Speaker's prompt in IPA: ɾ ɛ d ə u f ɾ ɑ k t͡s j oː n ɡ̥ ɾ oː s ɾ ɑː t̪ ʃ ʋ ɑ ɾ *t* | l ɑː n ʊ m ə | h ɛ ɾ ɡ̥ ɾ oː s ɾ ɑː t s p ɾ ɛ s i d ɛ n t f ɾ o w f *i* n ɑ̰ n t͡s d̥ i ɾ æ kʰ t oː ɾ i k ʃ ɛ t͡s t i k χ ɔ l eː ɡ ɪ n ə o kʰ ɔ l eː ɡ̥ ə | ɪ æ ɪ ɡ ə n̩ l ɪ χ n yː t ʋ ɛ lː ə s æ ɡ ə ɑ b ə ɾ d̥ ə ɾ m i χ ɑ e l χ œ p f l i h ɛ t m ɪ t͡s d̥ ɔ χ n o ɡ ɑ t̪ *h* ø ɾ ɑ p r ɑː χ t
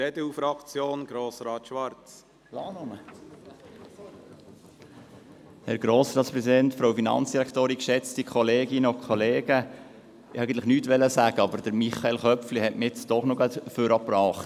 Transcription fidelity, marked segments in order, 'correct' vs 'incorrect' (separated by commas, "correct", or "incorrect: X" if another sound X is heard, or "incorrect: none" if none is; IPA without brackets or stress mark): incorrect: t͡s, correct, incorrect: f